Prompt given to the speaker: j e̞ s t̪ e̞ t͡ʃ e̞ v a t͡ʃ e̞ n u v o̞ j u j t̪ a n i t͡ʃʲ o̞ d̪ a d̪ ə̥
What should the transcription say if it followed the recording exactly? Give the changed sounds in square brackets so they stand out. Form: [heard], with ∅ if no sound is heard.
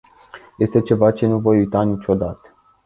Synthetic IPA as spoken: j e̞ s t̪ e̞ t͡ʃ e̞ v a t͡ʃ e̞ n u v o̞ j u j t̪ a n i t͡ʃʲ o̞ d̪ a [t̪] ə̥